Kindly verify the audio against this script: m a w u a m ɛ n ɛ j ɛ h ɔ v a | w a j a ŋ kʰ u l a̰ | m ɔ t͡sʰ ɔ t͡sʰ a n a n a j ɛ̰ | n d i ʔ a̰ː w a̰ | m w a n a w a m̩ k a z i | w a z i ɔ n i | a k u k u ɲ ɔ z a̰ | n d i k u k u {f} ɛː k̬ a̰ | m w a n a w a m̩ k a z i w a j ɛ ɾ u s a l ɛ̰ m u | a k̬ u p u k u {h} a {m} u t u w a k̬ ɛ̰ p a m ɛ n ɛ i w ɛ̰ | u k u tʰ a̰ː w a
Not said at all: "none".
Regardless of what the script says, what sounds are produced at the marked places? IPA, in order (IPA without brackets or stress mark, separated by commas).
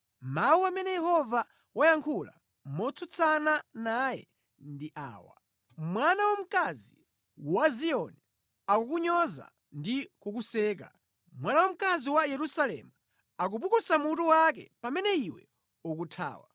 s, s, m